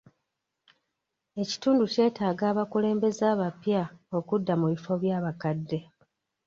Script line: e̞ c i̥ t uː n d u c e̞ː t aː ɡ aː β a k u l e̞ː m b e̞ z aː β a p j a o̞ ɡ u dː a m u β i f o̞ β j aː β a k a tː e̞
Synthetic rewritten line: e̞ c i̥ t uː n d u c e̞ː t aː ɡ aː β a k u l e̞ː m b e̞ z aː β a p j a o̞ k u dː a m u β i f o̞ β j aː β a k a dː e̞